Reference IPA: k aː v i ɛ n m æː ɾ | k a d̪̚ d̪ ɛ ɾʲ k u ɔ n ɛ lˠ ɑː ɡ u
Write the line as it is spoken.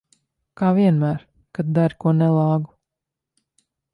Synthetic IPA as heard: k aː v i ɛ n m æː ɾ | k a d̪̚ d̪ a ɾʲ k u ɔ n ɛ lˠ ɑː ɡ u

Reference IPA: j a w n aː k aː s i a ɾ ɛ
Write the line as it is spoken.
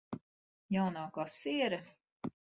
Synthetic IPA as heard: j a w n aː k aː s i ɛ ɾ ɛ

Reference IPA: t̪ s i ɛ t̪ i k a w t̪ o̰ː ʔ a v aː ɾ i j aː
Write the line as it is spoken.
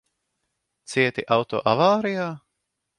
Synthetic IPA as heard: t̪ s i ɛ t̪ i ʔ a w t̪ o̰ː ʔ a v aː ɾ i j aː

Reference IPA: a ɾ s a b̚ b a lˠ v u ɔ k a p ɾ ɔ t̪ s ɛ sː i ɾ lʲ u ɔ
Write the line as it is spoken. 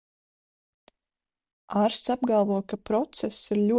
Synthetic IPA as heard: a ɾ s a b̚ ɡ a lˠ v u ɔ k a p ɾ ɔ t̪ s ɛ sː i ɾ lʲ u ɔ

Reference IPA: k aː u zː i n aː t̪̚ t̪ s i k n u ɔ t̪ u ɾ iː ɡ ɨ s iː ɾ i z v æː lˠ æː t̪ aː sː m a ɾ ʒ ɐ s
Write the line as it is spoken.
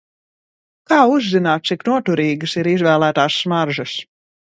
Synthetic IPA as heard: k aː u zː i n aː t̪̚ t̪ s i k n u ɔ t̪ u ɾ iː ɡ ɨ s i ɾ i z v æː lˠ æː t̪ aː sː m a ɾ ʒ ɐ s

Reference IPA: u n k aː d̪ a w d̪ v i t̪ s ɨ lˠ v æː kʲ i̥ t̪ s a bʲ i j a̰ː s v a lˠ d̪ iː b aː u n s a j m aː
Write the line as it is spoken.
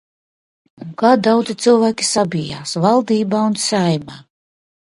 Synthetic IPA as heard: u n k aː d̪ a w d̪ z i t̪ s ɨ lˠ v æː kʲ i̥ s a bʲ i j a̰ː s v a lˠ d̪ iː b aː u n s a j m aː

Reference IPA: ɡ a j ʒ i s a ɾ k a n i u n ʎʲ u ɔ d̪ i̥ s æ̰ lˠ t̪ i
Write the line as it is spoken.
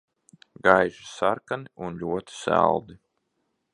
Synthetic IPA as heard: ɡ a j ʒ i s a ɾ k a n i u n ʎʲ u ɔ t̪ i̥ s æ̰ lˠ d̪ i

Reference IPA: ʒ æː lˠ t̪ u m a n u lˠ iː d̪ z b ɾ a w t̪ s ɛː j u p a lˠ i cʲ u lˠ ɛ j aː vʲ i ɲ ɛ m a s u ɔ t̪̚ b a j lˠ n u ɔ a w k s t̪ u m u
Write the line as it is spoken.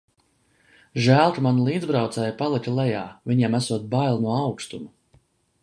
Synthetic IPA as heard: ʒ æː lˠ t̪ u m a n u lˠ iː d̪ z b ɾ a w t̪ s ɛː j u p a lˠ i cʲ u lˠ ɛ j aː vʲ i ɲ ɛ m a s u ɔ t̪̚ b a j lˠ n u ɔ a w k s t̪ u m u

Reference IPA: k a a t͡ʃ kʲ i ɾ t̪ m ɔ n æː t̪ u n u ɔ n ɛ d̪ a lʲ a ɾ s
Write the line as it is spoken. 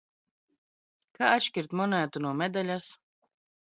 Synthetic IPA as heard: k a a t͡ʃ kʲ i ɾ t̪ m ɔ n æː t̪ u n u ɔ m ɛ d̪ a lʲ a s

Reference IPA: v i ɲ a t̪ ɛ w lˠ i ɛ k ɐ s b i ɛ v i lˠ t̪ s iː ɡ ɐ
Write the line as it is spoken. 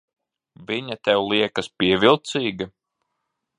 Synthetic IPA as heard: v i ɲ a t̪ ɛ w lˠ i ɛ k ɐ s p i ɛ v i lˠ t̪ s iː ɡ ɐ

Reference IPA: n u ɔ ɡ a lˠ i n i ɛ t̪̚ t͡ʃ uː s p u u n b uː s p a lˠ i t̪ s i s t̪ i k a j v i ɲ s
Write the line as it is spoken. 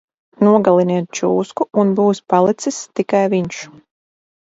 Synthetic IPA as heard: n u ɔ ɡ a lˠ i n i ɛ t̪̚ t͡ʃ uː s k u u n b uː s p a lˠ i t̪ s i s t̪ i k a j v i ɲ ʃ

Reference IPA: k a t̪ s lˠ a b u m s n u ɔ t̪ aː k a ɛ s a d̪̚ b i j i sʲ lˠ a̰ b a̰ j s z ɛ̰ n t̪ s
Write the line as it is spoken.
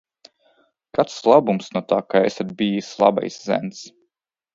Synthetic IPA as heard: k a t̪ s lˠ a b u m s n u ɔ t̪ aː k a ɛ s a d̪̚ b i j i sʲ lˠ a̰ b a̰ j s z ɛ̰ n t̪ s

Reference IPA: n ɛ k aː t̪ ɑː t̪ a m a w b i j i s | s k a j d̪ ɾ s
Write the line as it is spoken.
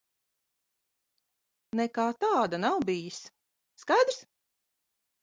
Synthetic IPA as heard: n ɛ k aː t̪ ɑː d̪ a n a w b i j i s | s k a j d̪ ɾ s

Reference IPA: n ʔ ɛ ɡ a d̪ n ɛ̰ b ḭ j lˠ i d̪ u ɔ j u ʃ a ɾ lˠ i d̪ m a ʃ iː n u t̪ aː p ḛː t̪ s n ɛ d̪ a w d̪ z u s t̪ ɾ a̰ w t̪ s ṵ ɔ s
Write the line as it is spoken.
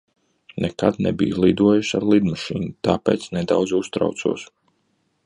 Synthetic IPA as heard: n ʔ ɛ k a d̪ n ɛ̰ b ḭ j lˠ i d̪ u ɔ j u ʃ a ɾ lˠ i d̪ m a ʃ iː n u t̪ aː p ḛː t̪ s n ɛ d̪ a w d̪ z u s t̪ ɾ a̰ w t̪ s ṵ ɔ s

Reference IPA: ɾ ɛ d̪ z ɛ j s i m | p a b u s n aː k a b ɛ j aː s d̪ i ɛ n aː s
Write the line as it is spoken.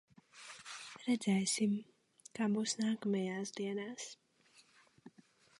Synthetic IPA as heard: ɾ ɛ d̪ z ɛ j s i m | k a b u s n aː k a m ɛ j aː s d̪ i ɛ n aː s

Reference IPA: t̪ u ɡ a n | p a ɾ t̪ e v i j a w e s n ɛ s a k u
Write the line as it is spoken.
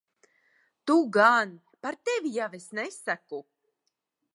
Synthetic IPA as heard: t̪ u ɡ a n | p a ɾ t̪ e v i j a v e s n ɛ s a k u

